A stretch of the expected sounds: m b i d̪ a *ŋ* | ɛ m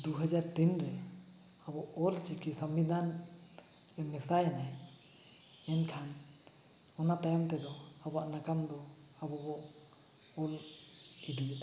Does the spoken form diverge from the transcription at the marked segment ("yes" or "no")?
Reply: yes